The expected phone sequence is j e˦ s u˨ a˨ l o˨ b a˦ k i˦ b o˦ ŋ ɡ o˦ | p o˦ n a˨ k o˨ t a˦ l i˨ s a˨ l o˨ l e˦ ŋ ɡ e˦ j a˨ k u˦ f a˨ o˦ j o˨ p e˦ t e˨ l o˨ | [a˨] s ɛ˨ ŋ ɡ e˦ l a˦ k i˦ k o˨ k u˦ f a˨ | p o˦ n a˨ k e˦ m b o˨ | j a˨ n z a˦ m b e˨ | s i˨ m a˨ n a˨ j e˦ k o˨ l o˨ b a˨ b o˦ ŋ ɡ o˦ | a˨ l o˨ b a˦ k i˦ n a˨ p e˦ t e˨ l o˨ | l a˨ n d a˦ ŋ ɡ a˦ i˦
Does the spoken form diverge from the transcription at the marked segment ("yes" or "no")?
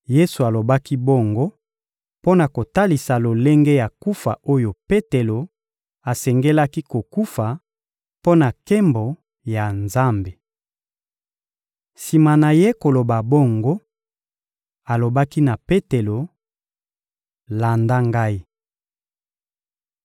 no